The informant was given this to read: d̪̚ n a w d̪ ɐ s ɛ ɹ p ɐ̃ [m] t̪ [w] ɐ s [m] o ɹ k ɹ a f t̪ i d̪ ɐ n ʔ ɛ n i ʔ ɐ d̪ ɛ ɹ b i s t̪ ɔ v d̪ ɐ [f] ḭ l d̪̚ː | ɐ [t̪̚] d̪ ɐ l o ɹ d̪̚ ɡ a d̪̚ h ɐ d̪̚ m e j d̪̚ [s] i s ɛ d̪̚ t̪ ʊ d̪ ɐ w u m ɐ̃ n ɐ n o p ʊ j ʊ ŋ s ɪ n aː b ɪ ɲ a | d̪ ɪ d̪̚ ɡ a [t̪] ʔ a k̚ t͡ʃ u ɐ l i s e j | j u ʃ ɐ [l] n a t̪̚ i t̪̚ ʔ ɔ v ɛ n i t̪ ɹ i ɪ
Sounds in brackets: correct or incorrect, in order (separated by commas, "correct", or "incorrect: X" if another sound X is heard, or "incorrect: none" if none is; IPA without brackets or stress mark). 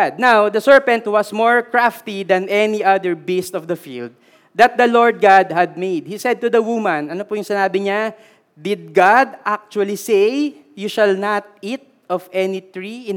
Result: incorrect: n, correct, correct, correct, correct, incorrect: h, incorrect: d̪, correct